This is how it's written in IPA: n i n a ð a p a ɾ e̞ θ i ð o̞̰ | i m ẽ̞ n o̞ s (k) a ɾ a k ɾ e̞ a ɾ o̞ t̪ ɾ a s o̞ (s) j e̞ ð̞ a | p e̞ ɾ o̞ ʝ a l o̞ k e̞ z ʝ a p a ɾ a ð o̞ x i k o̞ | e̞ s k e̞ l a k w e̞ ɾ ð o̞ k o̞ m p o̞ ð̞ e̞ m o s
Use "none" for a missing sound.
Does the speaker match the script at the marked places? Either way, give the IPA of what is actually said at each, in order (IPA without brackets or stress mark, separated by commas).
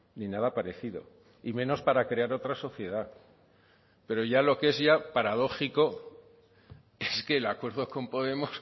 p, θ